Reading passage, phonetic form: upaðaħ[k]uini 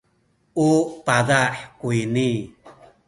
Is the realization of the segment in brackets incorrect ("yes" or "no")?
no